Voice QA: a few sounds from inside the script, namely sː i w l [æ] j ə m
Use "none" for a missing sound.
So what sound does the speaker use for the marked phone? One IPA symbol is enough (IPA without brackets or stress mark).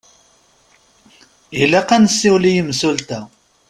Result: i